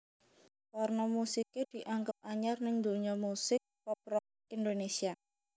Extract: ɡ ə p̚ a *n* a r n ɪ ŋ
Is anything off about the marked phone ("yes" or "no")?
yes